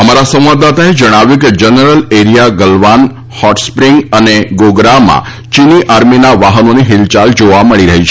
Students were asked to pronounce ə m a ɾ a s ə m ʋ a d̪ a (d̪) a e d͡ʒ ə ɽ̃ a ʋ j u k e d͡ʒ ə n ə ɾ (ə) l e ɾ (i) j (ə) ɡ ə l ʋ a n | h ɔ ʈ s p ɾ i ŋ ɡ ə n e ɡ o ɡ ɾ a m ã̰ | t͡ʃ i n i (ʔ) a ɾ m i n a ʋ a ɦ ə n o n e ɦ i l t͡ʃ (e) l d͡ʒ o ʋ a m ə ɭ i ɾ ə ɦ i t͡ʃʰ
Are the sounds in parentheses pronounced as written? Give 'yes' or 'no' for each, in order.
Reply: no, yes, yes, no, yes, no

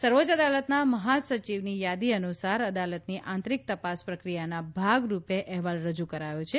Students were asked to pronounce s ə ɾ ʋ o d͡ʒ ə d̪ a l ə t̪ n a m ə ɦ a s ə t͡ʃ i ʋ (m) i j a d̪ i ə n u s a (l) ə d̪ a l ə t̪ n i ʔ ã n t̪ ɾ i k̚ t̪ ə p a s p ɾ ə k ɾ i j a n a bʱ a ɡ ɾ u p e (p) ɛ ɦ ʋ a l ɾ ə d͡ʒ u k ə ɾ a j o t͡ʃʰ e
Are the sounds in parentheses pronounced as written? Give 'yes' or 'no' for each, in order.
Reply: no, no, no

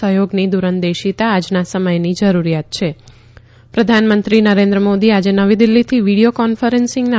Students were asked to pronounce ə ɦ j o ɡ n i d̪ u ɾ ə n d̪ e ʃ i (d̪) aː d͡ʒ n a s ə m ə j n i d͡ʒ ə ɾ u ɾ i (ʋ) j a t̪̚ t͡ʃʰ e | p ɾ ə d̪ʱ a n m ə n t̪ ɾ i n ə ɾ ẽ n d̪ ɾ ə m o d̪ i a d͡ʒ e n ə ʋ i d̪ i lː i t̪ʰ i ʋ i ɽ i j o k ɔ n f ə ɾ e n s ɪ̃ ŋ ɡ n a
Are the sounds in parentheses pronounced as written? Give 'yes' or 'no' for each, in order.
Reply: no, no

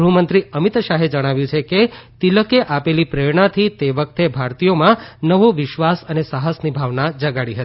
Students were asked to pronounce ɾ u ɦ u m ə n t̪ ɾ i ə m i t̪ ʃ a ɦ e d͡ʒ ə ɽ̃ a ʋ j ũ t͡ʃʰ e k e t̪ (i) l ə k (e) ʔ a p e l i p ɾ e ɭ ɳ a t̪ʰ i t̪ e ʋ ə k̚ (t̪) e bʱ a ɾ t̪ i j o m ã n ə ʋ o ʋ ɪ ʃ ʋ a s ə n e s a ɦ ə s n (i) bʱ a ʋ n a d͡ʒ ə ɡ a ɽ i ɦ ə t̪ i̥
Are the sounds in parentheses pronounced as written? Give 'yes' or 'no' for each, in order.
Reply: yes, yes, yes, yes

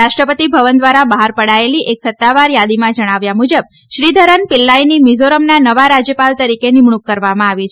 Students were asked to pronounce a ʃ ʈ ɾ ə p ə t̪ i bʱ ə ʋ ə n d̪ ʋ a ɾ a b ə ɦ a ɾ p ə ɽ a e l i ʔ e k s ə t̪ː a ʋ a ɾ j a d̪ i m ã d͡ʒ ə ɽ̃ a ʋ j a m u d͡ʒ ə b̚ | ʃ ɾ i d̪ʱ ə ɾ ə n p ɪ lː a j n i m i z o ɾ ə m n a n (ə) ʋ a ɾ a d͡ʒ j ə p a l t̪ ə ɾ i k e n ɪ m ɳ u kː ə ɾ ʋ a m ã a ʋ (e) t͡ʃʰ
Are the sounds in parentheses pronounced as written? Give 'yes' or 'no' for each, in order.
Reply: yes, no

